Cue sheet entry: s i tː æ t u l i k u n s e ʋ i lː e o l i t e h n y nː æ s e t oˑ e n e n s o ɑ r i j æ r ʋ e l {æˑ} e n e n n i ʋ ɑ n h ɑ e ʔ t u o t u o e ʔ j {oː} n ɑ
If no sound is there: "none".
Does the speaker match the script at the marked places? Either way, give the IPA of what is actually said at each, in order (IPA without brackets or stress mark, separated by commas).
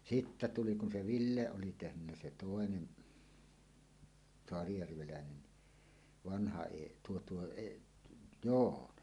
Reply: æˑ, oː